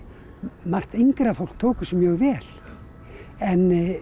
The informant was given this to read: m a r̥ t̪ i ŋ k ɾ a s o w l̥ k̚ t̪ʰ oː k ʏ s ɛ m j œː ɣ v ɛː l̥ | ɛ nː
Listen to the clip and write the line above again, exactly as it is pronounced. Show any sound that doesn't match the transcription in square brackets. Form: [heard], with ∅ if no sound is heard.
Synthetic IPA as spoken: m a r̥ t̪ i ŋ k ɾ a [f] o w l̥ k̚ t̪ʰ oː k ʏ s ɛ m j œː ɣ v ɛː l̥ | ɛ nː